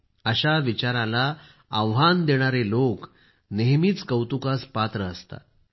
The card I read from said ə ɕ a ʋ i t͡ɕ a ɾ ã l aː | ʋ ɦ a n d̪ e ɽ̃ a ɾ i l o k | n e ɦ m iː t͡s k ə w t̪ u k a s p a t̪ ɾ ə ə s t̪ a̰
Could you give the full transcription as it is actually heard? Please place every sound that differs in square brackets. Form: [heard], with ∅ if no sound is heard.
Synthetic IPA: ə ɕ a ʋ i t͡ɕ a ɾ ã l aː | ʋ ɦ a n d̪ e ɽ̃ a ɾ [e] l o k | n e ɦ m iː t͡s k ə w t̪ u k a s p a t̪ ɾ ə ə s t̪ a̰